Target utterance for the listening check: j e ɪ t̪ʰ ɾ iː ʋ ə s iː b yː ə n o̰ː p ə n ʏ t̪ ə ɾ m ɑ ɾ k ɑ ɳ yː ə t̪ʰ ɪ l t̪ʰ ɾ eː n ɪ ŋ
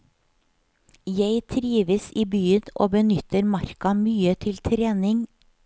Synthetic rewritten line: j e ɪ t̪ʰ ɾ iː ʋ ə s iː b yː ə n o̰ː b ə n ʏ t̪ ə ɾ m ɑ ɾ k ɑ m yː ə t̪ʰ ɪ l t̪ʰ ɾ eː n ɪ ŋ